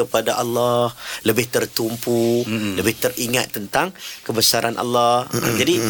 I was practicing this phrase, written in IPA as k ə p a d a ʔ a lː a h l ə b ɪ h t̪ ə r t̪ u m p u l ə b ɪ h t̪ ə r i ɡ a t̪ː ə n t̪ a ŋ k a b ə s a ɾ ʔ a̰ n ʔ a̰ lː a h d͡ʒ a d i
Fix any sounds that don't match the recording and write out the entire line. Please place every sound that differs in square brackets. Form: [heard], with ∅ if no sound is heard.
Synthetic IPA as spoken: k ə p a d a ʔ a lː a h l ə b ɪ h t̪ ə r t̪ u m p u l ə b ɪ h t̪ ə r i [ŋ] a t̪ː ə n t̪ a ŋ k [ə] b ə s a ɾ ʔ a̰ n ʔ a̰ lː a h d͡ʒ a d i